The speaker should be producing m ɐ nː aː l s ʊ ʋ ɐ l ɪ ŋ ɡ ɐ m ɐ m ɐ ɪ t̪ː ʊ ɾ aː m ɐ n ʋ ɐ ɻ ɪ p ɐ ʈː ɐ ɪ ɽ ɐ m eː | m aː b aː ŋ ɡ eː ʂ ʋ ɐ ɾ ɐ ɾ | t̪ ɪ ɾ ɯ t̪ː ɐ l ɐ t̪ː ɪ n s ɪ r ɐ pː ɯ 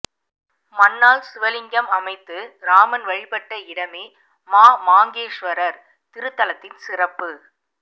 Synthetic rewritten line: m ɐ nː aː l s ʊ ʋ ɐ l ɪ ŋ ɡ ɐ m ɐ m ɐ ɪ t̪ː ɯ ɾ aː m ɐ n ʋ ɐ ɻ ɪ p ɐ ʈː ɐ ɪ ɽ ɐ m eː | m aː m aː ŋ ɡ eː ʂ ʋ ɐ ɾ ɐ ɾ | t̪ ɪ ɾ ɯ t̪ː ɐ l ɐ t̪ː ɪ n s ɪ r ɐ pː ɯ